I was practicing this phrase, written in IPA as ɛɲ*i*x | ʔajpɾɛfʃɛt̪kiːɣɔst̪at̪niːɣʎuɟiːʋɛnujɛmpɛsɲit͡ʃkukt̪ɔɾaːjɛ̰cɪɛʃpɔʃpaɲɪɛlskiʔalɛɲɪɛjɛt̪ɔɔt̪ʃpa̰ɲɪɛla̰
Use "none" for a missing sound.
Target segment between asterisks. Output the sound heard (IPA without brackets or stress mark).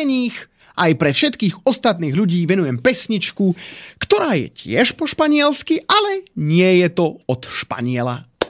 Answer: iː